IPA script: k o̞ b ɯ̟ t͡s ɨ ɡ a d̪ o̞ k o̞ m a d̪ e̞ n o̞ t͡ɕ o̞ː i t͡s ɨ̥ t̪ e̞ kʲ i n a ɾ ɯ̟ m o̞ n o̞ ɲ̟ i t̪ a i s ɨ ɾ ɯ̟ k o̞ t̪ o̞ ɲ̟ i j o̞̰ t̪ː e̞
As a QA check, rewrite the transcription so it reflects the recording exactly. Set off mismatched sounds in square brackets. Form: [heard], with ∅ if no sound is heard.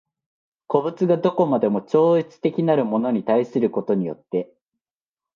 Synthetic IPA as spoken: k o̞ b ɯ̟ t͡s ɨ ɡ a d̪ o̞ k o̞ m a d̪ e̞ [m] o̞ t͡ɕ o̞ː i t͡s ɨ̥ t̪ e̞ kʲ i n a ɾ ɯ̟ m o̞ n o̞ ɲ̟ i t̪ a i s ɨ ɾ ɯ̟ k o̞ t̪ o̞ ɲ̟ i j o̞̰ t̪ː e̞